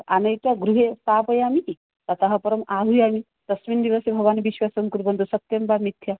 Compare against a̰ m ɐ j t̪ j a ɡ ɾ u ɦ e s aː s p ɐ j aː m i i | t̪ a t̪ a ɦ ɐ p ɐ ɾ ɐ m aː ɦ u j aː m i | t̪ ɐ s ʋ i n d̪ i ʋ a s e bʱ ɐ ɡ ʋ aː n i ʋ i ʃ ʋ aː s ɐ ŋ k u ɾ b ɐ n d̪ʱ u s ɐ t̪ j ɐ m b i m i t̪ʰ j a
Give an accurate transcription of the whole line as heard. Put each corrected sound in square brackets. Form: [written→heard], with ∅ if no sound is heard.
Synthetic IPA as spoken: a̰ [m→n] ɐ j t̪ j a ɡ ɾ u ɦ e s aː [s→∅] p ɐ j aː m i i | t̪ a t̪ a ɦ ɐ p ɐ ɾ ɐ m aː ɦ u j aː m i | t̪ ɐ s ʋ i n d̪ i ʋ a s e bʱ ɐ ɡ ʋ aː n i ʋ i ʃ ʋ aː s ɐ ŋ k u ɾ b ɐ n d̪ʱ u s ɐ t̪ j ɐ m b [i→a] m i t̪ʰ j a